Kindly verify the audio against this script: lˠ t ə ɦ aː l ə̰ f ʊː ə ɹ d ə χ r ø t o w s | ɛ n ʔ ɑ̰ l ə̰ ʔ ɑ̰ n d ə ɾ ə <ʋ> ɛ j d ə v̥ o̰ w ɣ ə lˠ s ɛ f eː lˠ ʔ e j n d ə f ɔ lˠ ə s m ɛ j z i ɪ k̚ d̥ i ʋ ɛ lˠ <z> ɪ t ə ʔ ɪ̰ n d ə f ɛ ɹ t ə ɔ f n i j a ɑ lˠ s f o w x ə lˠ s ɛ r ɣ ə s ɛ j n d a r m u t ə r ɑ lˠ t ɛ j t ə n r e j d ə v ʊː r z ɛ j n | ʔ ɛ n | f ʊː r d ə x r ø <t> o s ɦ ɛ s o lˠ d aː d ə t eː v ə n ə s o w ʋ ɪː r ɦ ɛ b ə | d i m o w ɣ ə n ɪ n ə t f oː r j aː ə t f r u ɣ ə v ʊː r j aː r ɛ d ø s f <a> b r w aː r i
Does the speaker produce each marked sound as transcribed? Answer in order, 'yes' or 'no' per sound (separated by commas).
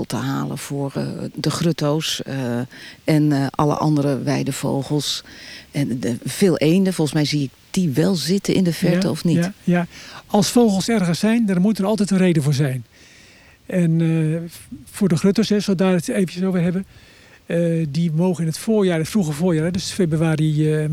yes, yes, yes, no